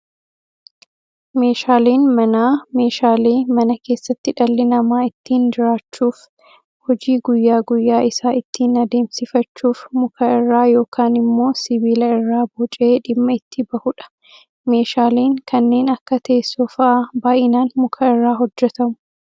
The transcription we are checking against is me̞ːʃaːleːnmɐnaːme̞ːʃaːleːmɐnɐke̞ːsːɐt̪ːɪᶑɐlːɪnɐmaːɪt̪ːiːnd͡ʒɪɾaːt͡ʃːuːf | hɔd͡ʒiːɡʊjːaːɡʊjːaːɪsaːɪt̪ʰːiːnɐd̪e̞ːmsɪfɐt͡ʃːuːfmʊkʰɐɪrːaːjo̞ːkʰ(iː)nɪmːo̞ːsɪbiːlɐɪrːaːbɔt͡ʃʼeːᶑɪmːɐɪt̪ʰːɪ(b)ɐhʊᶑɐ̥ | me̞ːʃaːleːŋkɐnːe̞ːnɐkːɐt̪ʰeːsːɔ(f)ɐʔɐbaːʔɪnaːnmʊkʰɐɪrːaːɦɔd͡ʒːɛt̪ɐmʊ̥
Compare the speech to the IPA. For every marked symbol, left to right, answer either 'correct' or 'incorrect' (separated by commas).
incorrect, correct, correct